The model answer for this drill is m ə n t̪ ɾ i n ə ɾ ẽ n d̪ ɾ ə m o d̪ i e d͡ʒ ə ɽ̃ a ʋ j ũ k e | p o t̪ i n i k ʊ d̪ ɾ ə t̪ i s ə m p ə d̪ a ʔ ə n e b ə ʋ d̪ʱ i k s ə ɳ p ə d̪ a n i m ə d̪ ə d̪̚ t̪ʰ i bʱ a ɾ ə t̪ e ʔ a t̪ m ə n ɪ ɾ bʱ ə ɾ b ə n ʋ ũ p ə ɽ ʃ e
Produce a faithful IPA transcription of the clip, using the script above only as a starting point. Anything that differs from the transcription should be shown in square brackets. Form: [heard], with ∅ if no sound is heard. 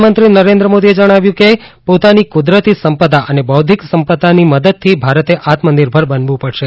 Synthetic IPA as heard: m ə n t̪ ɾ i n ə ɾ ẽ n d̪ ɾ ə m o d̪ i e d͡ʒ ə ɽ̃ a ʋ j ũ k e | p o t̪ [a] n i k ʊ d̪ ɾ ə t̪ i s ə m p ə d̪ a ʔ ə n e b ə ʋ d̪ʱ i k s ə [m] p ə d̪ a n i m ə d̪ ə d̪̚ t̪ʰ i bʱ a ɾ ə t̪ e ʔ a t̪ m ə n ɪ ɾ bʱ ə ɾ b ə n ʋ ũ p ə ɽ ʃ e